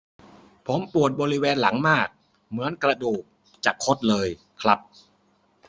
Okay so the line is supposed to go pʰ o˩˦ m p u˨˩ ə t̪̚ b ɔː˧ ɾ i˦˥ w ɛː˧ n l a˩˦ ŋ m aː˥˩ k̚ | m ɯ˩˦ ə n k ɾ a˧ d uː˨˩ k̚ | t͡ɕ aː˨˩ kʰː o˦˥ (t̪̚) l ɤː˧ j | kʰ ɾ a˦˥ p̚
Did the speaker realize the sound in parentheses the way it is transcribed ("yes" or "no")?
yes